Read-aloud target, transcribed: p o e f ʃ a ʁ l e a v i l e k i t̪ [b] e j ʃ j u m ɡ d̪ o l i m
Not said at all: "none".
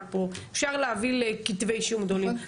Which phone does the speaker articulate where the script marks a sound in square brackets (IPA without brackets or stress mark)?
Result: v